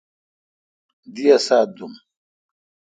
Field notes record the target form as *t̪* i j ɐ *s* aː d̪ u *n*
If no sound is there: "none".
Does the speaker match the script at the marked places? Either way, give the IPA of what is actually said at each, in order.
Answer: d̪, s, m

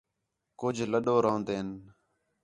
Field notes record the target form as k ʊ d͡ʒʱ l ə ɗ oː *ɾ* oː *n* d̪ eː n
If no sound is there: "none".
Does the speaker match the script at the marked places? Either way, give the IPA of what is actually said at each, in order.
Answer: ɾ, n

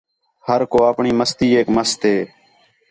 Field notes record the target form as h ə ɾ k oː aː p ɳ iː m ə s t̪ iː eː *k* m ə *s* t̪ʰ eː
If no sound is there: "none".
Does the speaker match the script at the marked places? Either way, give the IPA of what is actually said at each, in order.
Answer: k, s

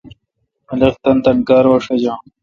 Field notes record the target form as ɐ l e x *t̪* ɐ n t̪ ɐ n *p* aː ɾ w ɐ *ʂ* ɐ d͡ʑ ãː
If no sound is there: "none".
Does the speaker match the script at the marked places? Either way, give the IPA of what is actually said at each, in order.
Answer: t̪, k, ʂ

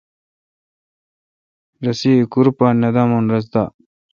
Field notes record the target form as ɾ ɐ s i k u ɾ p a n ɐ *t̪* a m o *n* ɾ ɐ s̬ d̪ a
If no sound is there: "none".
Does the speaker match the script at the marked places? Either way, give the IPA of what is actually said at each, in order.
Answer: d̪, n

